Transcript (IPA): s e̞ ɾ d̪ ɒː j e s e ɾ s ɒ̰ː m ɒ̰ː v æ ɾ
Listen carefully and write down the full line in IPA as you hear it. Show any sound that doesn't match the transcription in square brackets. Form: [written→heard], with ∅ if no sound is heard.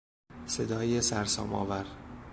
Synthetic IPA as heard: s e̞ [ɾ→∅] d̪ ɒː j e s [e→æ] ɾ s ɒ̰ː m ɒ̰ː v æ ɾ

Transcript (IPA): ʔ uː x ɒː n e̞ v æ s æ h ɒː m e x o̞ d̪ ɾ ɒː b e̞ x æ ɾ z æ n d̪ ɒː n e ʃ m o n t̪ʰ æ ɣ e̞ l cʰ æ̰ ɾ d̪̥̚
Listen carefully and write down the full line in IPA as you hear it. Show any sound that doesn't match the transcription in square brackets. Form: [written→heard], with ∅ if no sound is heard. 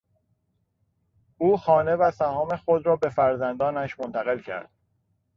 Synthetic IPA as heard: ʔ uː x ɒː n e̞ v æ s æ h ɒː m e x o̞ d̪ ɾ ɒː b e̞ [x→f] æ ɾ z æ n d̪ ɒː n [e→æ] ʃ m o n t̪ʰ æ ɣ e̞ l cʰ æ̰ ɾ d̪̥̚

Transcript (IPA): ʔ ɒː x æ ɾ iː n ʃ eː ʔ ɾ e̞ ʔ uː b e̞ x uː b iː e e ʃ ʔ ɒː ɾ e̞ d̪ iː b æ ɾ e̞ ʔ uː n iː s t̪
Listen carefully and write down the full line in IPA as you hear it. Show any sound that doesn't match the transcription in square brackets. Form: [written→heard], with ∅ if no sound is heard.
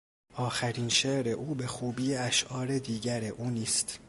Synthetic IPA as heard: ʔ ɒː x æ ɾ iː n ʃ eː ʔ ɾ e̞ ʔ uː b e̞ x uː b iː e [e→æ] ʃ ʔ ɒː ɾ e̞ d̪ iː [b→ɟ] æ ɾ e̞ ʔ uː n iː s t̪

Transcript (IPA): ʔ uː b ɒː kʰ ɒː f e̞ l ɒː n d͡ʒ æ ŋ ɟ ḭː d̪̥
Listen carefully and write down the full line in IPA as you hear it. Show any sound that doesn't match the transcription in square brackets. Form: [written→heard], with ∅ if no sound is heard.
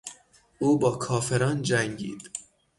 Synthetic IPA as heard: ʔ uː b ɒː kʰ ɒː f e̞ [l→ɾ] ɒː n d͡ʒ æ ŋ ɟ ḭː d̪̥

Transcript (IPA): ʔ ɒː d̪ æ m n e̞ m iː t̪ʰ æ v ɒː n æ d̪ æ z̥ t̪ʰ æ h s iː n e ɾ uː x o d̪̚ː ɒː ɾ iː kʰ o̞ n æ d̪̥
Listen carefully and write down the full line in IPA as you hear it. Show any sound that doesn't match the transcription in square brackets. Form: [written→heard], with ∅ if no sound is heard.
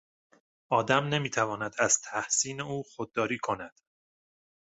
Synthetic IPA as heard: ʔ ɒː d̪ æ m n e̞ m iː t̪ʰ æ v ɒː n æ d̪ æ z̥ t̪ʰ æ h s iː n e [ɾ→∅] uː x o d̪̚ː ɒː ɾ iː kʰ o̞ n æ d̪̥

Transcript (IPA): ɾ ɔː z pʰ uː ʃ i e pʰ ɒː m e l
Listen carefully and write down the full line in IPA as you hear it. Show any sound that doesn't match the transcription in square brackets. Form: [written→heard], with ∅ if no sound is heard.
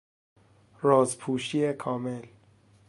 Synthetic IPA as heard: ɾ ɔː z pʰ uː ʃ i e [pʰ→kʰ] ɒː m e l

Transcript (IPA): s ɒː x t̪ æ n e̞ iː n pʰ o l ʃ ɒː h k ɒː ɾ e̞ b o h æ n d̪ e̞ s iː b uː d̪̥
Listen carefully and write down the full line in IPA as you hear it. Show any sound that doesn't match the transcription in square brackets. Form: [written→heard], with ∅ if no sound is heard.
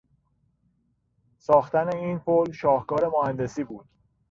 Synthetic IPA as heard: s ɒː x t̪ æ n e̞ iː n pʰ o l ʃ ɒː h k ɒː ɾ e̞ [b→m] o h æ n d̪ e̞ s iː b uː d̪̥

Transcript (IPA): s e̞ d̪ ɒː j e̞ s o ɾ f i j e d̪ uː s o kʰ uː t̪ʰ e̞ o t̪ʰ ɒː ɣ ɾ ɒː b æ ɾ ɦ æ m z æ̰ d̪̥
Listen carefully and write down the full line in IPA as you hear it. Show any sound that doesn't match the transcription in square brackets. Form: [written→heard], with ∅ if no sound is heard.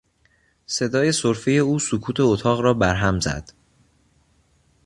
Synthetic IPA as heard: s e̞ d̪ ɒː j e̞ s o ɾ f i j e [d̪→∅] uː s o kʰ uː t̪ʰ e̞ o t̪ʰ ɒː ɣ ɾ ɒː b æ ɾ ɦ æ m z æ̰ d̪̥

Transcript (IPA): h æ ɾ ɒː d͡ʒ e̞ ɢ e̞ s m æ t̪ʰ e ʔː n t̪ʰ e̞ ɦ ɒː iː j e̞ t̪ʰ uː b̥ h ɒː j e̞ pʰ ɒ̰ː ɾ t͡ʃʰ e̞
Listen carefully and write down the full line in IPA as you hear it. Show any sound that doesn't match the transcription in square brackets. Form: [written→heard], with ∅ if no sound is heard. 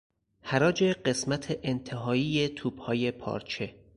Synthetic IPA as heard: h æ ɾ ɒː d͡ʒ e̞ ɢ e̞ s m æ t̪ʰ e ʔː n t̪ʰ e̞ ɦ ɒː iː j e̞ t̪ʰ uː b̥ h ɒː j e̞ pʰ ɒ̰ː ɾ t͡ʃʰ e̞

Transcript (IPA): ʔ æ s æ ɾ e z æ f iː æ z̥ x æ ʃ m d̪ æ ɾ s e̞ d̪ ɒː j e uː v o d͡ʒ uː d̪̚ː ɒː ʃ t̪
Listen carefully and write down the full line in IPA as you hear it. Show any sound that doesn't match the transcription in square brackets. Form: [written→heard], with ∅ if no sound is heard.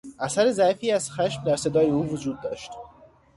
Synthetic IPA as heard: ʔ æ s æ ɾ e z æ f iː æ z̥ x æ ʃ m d̪ æ ɾ s e̞ d̪ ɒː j e uː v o d͡ʒ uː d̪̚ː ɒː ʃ t̪

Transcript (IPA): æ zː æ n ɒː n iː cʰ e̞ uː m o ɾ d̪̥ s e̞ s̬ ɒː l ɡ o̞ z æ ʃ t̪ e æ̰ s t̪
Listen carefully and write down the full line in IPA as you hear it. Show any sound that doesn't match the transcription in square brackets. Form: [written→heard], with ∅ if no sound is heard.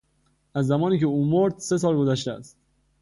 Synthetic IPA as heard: æ zː æ [n→m] ɒː n iː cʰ e̞ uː m o ɾ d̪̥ s e̞ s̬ ɒː l ɡ o̞ z æ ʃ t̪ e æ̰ s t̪

